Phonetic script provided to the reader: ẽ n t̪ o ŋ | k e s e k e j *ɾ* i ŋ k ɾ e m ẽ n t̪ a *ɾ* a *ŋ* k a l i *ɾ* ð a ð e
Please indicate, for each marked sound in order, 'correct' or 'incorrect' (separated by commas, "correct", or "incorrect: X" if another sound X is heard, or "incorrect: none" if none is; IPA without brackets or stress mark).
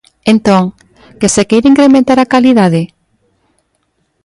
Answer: correct, correct, incorrect: none, incorrect: none